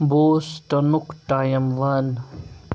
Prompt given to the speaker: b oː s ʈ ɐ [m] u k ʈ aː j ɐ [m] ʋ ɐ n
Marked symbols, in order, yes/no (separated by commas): no, yes